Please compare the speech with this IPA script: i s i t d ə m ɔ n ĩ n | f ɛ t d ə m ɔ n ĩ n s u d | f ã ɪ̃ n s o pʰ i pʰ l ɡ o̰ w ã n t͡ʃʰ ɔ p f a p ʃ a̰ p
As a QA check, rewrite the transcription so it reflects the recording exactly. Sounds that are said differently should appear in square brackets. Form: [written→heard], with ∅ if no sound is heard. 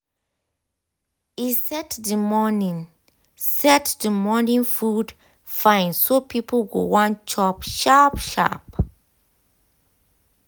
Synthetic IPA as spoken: i s [i→ɛ] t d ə m ɔ n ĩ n | [f→s] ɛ t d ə m ɔ n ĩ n [s→f] u d | f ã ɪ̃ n s o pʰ i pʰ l ɡ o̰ w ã n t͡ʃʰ ɔ p [f→ʃ] a p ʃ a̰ p